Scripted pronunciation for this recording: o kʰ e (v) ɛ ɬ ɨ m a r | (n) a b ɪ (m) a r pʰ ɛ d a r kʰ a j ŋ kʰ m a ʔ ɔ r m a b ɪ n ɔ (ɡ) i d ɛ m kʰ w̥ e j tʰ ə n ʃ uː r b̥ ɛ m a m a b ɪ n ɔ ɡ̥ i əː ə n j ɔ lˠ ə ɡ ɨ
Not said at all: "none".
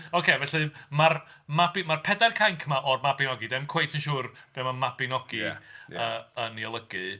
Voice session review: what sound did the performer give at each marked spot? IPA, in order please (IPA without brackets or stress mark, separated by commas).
v, m, m, ɡ